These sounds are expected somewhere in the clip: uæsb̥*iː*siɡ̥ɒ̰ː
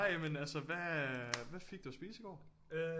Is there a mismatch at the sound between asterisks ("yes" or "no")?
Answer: no